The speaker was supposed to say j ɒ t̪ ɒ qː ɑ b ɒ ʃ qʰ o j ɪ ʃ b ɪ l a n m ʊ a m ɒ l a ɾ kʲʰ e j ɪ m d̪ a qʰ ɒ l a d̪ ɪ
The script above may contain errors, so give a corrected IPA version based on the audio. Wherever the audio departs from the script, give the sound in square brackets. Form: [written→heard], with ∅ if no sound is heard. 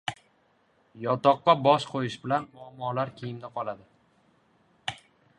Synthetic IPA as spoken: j ɒ t̪ ɒ qː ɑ b ɒ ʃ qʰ o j ɪ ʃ b ɪ l a n m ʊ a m ɒ l a ɾ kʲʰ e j ɪ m d̪ a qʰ ɒ l a d̪ ɪ